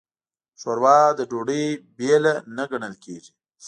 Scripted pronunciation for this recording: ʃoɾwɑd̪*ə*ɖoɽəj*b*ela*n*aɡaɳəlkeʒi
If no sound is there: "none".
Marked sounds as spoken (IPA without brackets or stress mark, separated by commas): ə, b, n